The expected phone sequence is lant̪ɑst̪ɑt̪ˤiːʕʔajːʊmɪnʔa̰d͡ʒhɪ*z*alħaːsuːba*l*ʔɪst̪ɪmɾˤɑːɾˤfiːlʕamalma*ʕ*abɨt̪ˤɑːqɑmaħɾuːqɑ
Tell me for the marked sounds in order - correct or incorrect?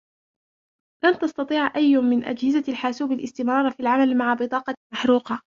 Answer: correct, correct, correct

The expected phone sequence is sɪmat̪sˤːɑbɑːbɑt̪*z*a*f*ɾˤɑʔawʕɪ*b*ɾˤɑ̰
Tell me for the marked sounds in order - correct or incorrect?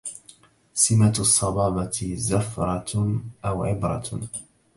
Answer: correct, correct, correct

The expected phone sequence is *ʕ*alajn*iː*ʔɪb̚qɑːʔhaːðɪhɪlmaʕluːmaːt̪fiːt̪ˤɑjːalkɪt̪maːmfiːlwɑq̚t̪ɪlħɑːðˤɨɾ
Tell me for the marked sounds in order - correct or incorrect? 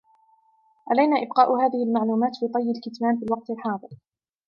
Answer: correct, incorrect

